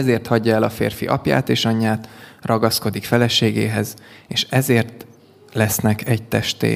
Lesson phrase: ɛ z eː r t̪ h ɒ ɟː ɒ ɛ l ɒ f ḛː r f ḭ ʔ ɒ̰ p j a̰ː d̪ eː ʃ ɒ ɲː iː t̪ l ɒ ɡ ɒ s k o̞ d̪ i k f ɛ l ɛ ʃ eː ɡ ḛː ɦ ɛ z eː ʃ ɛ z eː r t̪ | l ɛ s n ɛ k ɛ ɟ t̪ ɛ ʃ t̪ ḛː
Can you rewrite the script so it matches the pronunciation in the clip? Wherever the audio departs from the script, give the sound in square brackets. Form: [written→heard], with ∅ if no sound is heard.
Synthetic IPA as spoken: ɛ z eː r t̪ h ɒ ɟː ɒ ɛ l ɒ f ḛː r f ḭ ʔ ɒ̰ p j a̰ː [d̪→t̪] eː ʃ ɒ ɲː [iː→aː] t̪ [l→r] ɒ ɡ ɒ s k o̞ d̪ i k f ɛ l ɛ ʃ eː ɡ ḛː ɦ ɛ z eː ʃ ɛ z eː r t̪ | l ɛ s n ɛ k ɛ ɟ t̪ ɛ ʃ t̪ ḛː